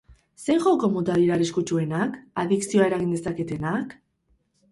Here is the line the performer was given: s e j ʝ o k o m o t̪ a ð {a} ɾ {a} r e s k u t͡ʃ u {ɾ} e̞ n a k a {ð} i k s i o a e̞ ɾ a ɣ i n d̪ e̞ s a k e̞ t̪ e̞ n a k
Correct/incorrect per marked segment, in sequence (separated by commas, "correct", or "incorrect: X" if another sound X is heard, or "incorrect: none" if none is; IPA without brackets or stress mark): incorrect: i, correct, incorrect: none, correct